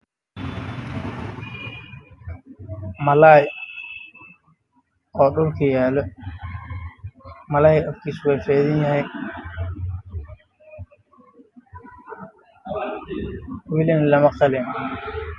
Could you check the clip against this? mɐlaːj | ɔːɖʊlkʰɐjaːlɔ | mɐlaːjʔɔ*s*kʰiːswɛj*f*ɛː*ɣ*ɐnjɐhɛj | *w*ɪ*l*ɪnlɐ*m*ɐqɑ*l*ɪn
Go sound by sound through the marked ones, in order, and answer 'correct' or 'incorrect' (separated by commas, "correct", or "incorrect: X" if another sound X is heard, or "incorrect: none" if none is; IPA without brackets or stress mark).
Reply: incorrect: f, correct, incorrect: ð, correct, correct, correct, correct